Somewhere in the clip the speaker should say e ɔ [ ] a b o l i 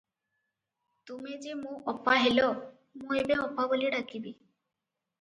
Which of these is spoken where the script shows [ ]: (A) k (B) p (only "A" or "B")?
B